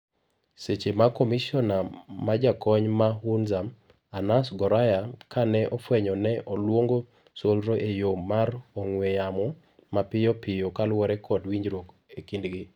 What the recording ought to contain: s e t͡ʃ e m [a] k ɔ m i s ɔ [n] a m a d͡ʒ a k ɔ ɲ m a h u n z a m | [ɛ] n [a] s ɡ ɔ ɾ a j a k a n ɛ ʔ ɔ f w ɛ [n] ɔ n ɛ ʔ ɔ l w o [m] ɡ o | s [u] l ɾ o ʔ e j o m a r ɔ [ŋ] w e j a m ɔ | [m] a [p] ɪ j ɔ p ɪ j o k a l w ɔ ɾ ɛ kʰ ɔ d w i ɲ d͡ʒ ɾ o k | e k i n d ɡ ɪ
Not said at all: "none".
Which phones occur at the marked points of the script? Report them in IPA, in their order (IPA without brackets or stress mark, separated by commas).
a, n, a, a, ɲ, ŋ, o, ŋ, m, p